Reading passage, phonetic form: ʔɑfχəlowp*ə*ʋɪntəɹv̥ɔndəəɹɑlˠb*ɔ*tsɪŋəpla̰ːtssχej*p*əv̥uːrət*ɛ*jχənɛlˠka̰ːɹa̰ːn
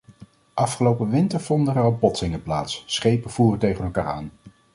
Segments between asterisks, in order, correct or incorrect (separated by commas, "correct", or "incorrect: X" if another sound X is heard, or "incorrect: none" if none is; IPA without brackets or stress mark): correct, correct, correct, incorrect: e